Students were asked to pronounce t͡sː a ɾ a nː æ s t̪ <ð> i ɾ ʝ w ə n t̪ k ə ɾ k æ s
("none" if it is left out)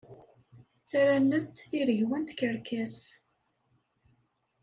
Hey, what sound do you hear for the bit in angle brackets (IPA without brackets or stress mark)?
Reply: θ